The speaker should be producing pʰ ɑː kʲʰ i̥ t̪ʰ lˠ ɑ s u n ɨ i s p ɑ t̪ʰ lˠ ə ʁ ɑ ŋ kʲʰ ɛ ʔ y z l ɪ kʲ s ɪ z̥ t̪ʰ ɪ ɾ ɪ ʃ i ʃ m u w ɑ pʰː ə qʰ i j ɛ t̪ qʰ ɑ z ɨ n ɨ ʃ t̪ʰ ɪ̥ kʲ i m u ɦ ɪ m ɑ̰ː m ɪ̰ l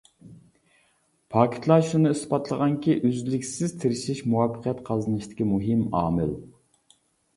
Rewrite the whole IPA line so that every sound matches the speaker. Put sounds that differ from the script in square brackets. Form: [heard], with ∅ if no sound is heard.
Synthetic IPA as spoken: pʰ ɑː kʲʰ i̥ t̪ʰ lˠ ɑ [ʃ] u n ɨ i s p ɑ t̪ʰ lˠ ə ʁ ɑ ŋ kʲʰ [i] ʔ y z l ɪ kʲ s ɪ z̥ t̪ʰ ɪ ɾ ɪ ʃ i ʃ m u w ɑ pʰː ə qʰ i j ɛ t̪ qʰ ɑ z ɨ n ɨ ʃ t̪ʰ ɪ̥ kʲ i m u ɦ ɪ m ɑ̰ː m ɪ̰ l